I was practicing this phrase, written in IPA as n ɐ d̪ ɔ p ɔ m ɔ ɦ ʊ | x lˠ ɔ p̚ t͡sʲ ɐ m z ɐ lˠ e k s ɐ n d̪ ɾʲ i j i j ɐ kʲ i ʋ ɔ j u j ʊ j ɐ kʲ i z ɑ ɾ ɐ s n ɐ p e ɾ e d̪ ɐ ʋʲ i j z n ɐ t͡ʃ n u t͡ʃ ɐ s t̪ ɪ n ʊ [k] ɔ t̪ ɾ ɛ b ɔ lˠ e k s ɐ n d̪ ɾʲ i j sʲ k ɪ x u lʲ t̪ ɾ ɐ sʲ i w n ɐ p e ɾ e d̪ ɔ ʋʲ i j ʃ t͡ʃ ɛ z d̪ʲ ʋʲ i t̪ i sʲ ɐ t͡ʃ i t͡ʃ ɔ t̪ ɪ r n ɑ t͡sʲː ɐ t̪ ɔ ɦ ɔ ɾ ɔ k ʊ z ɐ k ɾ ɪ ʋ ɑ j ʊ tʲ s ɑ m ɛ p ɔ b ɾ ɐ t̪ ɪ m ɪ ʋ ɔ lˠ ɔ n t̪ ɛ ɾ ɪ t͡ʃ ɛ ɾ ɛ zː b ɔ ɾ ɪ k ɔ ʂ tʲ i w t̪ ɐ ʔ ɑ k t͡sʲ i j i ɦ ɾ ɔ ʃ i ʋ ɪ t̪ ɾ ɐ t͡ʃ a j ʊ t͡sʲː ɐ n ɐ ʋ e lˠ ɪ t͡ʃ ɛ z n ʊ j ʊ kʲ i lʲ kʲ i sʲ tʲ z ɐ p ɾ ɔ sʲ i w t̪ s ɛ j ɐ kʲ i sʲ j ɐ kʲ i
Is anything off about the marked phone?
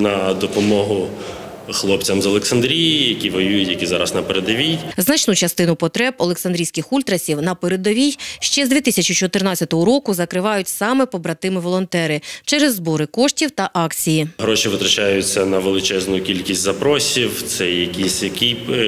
yes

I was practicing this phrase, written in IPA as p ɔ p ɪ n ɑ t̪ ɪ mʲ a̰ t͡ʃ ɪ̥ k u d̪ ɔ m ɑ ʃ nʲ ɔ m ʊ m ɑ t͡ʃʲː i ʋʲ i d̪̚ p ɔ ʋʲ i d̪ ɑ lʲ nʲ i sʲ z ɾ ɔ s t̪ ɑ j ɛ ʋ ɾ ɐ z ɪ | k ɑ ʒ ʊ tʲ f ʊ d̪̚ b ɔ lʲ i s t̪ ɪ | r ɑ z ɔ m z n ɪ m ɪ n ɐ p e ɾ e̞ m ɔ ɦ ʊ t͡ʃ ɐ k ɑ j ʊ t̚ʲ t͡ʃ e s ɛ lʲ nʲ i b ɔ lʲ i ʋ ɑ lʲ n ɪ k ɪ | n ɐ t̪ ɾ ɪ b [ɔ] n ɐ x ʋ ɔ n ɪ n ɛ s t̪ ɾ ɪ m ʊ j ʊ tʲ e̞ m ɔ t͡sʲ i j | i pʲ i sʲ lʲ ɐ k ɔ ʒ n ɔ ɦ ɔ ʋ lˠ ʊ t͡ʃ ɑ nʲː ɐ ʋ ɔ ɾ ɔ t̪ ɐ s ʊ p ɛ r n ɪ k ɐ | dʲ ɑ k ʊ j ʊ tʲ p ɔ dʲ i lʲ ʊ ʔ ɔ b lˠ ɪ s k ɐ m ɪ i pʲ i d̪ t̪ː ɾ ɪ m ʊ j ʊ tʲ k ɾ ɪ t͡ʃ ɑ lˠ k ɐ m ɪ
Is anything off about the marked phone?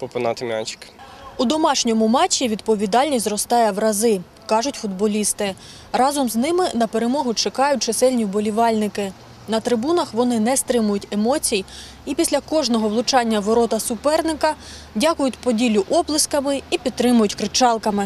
yes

